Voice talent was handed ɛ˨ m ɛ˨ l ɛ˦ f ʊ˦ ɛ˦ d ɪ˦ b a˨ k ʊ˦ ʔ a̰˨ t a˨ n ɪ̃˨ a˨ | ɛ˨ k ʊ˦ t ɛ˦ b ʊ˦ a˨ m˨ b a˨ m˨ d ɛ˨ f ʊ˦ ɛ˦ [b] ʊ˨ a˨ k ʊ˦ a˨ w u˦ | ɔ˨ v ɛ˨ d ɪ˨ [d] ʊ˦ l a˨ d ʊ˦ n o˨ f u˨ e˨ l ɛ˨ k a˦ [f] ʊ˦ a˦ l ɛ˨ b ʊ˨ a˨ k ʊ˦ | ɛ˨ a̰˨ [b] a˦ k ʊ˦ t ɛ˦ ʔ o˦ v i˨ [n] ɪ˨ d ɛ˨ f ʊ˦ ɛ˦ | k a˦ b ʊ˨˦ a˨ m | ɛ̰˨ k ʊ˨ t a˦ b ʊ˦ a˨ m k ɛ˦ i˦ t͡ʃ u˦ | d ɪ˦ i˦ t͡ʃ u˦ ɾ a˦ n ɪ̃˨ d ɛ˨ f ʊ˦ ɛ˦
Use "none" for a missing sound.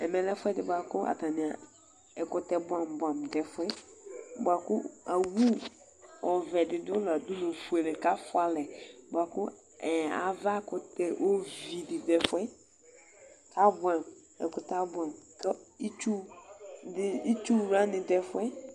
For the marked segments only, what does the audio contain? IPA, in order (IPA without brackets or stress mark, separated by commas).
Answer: b, d, f, v, d